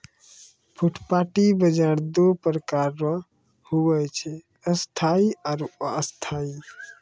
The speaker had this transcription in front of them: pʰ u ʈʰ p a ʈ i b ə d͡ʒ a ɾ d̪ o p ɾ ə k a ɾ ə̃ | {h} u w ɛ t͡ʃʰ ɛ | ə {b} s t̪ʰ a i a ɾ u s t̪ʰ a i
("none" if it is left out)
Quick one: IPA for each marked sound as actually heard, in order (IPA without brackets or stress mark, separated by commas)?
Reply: h, none